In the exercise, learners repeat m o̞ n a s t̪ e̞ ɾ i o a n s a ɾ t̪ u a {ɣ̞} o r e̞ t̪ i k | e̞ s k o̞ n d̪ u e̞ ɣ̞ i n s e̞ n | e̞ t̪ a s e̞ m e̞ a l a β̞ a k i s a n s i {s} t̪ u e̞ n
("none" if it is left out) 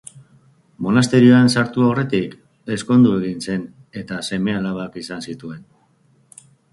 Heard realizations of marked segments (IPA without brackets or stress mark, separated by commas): none, none